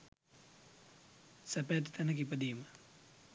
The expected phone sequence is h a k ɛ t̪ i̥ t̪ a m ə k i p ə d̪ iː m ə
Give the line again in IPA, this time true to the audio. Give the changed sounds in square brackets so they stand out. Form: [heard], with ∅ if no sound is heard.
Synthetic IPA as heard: [s] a [p] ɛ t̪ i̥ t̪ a [n] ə k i p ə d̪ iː m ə